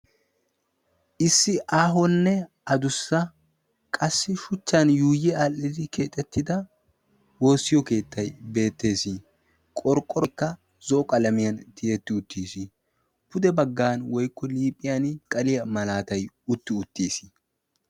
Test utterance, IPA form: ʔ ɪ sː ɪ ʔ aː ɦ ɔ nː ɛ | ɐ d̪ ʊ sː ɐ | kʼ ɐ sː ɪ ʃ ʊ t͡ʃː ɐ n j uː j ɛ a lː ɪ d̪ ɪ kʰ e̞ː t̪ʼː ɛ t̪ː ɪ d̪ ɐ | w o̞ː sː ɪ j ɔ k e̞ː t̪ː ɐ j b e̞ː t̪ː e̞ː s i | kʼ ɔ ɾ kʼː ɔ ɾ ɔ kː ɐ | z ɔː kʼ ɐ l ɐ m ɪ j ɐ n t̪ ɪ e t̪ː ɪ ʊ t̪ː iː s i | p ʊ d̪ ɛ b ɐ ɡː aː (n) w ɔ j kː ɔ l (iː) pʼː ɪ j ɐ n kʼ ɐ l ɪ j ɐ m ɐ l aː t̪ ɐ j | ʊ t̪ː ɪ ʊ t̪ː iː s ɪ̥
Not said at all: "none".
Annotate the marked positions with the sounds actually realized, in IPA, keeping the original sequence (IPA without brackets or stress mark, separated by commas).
n, iː